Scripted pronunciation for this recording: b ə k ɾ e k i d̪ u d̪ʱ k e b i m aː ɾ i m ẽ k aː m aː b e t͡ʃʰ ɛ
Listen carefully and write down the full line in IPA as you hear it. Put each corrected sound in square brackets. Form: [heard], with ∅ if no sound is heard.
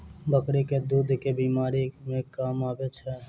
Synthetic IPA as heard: b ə k ɾ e k [e] d̪ u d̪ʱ k e b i m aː ɾ i m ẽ k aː m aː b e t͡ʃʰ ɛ

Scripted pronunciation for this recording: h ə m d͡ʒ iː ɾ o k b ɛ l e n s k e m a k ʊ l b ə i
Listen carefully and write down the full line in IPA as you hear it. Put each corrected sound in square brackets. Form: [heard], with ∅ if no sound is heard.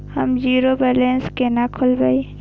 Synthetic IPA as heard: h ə m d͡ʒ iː ɾ o [∅] b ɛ l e n s k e [n] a [kʰ] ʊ l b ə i

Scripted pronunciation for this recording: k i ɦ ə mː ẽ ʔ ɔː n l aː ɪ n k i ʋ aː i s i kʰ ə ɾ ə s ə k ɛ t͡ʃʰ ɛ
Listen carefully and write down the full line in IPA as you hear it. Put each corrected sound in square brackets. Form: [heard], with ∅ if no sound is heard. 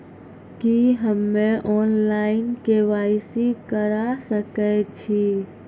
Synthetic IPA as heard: k i ɦ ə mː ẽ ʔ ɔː n l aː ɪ n k [e] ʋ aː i s i [k] ə ɾ [a] s ə k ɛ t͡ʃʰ [i]

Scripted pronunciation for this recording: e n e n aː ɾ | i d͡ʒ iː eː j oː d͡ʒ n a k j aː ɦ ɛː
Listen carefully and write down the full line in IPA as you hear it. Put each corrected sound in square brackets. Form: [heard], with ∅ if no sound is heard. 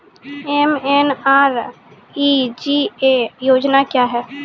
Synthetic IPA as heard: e [m] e n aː ɾ | i d͡ʒ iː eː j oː d͡ʒ n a k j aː ɦ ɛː

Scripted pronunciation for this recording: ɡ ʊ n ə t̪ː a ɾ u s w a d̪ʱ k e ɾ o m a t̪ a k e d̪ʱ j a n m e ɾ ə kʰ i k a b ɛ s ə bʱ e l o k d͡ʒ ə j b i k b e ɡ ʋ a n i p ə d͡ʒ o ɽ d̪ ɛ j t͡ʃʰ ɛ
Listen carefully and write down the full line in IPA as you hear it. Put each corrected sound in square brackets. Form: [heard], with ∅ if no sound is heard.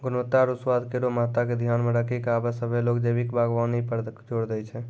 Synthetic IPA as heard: ɡ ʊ n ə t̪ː a ɾ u s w a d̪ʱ k e ɾ o m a t̪ a k e d̪ʱ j a n m e ɾ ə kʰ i k a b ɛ s ə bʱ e l o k d͡ʒ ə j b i k b [a] ɡ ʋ a n i p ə d͡ʒ o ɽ d̪ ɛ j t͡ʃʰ ɛ

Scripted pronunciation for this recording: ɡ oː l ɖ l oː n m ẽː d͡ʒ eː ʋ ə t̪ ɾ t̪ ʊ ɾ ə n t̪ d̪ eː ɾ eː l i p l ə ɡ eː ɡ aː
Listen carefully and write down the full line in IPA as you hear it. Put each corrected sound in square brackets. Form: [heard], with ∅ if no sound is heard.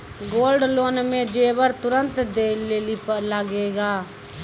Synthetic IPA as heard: ɡ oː l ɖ l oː n m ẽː d͡ʒ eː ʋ ə [∅] ɾ t̪ ʊ ɾ ə n t̪ d̪ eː [l] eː l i p l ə ɡ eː ɡ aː

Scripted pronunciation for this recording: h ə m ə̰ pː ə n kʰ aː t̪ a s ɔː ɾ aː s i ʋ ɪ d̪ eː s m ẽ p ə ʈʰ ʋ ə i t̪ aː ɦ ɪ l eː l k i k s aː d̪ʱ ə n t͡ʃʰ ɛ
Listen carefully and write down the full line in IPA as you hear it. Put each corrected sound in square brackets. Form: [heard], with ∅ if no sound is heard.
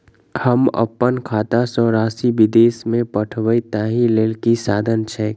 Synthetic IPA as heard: h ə m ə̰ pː ə n kʰ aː t̪ a s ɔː ɾ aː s i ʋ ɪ d̪ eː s m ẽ p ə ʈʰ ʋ ə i t̪ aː ɦ [i] l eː l k i [∅] s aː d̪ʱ ə n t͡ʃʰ ɛ

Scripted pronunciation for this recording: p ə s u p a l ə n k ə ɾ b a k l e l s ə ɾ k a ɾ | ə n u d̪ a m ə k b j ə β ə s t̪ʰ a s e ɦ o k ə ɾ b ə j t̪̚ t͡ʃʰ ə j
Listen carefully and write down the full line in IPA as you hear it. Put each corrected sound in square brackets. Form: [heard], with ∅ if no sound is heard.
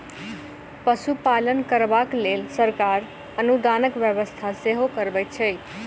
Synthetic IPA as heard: p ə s u p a l ə n k ə ɾ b a k l e l s ə ɾ k a ɾ | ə n u d̪ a [n] ə k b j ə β ə s t̪ʰ a s e ɦ o k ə ɾ b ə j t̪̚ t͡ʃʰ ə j

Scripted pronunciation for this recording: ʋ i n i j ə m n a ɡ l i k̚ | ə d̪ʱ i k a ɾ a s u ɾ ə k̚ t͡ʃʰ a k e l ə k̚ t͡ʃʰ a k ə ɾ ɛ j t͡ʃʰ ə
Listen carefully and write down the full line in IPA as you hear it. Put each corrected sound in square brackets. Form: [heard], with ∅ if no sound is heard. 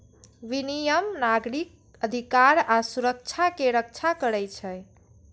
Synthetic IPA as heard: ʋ i n i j ə m n a ɡ [ɾ] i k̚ | ə d̪ʱ i k a ɾ a s u ɾ ə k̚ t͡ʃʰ a k e [ɾ] ə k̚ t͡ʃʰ a k ə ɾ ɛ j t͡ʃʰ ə

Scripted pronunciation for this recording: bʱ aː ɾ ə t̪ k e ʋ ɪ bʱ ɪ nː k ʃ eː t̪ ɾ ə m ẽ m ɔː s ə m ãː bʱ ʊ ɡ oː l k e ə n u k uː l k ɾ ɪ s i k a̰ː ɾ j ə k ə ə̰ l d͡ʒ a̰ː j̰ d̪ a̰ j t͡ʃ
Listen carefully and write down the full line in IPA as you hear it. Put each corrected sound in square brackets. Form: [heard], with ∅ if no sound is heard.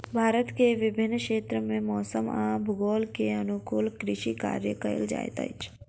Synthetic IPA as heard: bʱ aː ɾ ə t̪ k e ʋ ɪ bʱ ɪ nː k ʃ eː t̪ ɾ ə m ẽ m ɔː s ə m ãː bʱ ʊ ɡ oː l k e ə n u k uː l k ɾ ɪ [ʃ] i k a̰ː ɾ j ə k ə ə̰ l d͡ʒ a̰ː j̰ [t̪] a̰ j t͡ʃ

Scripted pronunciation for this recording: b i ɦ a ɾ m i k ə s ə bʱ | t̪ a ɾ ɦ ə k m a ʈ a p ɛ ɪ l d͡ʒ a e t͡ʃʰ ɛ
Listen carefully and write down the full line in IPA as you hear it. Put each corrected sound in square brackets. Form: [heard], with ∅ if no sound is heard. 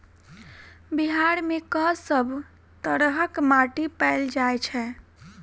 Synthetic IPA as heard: b i ɦ a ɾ m [e] k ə s ə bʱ | t̪ [ə] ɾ ɦ ə k m a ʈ [i] p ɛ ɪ l d͡ʒ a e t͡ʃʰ ɛ

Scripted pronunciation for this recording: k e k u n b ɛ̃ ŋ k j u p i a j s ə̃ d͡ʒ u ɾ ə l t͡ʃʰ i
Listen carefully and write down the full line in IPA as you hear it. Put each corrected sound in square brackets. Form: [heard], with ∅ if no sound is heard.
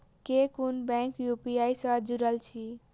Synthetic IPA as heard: k e k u n b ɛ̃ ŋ k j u p i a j s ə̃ d͡ʒ u ɾ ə l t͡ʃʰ i

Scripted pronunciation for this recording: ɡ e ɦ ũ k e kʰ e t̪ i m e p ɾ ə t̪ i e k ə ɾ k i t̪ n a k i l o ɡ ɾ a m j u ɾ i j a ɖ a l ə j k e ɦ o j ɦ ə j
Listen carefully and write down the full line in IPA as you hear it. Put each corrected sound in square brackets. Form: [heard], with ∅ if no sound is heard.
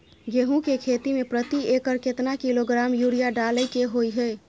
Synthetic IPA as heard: ɡ e ɦ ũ k e kʰ e t̪ i m e p ɾ ə t̪ i e k ə ɾ k [e] t̪ n a k i l o ɡ ɾ a m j u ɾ i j a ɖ a l ə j k e ɦ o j ɦ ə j

